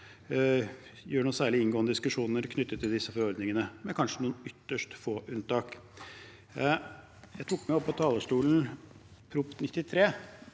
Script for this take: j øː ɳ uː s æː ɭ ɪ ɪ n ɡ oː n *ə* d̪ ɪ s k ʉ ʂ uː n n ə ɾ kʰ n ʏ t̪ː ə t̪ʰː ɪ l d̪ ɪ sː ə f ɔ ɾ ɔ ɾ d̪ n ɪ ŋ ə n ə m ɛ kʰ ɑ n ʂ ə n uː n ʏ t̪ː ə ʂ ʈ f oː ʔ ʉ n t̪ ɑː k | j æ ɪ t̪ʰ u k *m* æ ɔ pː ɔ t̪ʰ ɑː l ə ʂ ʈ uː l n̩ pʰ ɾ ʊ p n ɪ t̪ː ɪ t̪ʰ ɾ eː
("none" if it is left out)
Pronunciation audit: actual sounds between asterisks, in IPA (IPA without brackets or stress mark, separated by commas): ə, m